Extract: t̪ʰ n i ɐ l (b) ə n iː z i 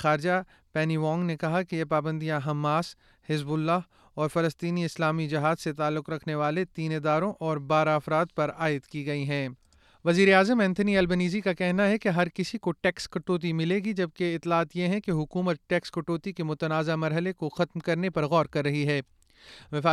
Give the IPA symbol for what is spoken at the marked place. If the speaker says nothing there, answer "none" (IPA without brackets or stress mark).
b